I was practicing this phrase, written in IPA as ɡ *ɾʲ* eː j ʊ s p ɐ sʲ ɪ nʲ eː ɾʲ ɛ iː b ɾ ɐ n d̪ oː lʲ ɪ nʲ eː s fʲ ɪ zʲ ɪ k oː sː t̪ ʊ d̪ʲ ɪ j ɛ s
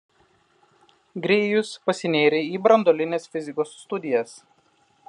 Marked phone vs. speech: correct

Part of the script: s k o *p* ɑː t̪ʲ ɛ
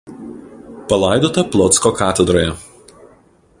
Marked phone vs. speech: incorrect: k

